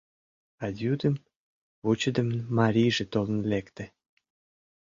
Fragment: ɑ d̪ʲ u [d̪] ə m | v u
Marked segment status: correct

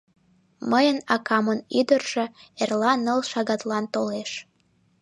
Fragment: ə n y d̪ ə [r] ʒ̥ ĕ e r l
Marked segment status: correct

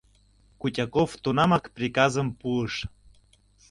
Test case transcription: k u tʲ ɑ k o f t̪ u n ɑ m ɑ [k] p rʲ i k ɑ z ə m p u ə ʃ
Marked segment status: correct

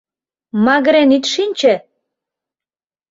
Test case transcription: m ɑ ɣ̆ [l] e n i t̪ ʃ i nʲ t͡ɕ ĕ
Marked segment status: incorrect: ɾ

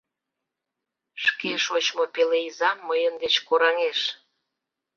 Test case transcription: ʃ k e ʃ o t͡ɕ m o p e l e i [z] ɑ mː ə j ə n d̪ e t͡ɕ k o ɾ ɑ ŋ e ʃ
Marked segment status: correct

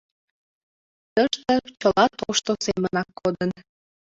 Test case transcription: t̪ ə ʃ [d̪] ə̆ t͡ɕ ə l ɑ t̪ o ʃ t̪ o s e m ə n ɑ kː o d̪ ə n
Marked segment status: incorrect: t̪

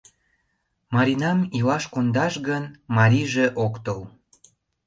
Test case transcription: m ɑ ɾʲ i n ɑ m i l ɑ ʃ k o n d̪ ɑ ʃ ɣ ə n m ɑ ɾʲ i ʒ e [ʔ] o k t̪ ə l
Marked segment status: correct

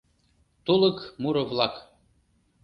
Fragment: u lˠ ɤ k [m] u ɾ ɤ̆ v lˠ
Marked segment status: correct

